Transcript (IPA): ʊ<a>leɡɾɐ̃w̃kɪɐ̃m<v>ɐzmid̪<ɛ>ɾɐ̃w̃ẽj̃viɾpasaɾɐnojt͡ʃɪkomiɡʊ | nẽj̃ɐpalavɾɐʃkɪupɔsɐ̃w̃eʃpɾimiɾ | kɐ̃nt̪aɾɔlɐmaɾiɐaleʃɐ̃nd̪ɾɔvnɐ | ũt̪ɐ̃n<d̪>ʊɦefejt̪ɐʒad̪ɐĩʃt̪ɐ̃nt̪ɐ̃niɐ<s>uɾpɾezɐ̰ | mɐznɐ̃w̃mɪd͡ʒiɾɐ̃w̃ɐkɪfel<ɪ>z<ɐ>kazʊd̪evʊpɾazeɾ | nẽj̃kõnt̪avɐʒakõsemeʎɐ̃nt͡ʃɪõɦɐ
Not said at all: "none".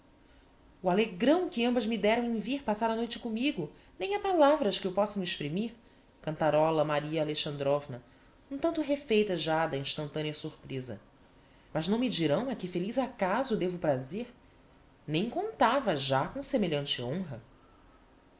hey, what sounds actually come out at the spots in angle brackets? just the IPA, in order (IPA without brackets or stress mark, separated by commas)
a, b, ɛ, t̪, s, i, a